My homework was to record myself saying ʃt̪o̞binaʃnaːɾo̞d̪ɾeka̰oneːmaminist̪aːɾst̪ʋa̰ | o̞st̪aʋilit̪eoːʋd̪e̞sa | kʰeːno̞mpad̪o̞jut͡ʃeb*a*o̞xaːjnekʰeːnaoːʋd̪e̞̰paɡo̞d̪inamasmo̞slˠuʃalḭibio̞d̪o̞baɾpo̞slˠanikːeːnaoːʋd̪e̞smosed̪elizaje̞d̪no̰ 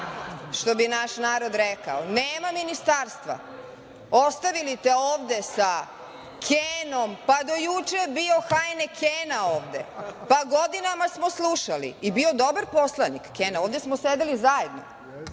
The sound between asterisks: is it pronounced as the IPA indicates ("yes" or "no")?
no